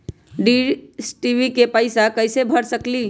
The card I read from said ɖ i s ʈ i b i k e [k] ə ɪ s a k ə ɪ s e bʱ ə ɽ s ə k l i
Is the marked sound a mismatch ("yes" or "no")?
yes